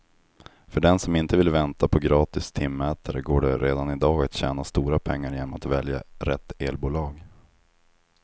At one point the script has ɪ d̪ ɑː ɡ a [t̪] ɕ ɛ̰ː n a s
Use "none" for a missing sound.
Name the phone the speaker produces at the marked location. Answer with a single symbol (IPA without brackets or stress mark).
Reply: t̪